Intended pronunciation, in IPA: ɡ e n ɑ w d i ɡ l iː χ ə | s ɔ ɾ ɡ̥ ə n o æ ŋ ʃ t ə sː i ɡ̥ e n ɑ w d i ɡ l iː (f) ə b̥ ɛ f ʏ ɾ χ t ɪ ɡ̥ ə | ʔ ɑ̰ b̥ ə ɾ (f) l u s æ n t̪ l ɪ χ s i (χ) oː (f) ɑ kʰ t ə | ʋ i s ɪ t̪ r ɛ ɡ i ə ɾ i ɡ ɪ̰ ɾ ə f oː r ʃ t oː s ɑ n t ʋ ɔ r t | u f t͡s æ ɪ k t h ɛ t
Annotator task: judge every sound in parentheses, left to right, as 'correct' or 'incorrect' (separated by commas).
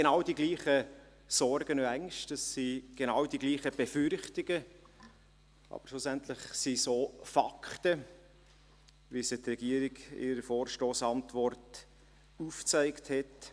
incorrect, incorrect, incorrect, correct